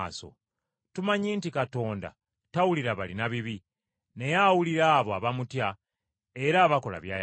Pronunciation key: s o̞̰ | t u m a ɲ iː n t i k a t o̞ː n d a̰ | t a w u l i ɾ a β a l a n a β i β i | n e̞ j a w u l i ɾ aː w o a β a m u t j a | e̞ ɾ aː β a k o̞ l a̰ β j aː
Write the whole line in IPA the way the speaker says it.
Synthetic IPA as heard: s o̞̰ | t u m a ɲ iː n t i k a t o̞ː n d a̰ | t a w u l i ɾ a β a l i n a β i β i | n e̞ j a w u l i ɾ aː β o a β a m u t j a | e̞ ɾ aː β a k o̞ l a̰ β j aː